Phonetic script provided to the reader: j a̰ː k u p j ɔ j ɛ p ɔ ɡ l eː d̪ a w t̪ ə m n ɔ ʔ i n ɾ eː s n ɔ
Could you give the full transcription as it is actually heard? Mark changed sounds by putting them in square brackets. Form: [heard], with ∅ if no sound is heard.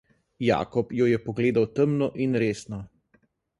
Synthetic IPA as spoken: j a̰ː k [ɔ] p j ɔ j ɛ p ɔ ɡ l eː d̪ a w t̪ ə m n ɔ ʔ i n ɾ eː s n ɔ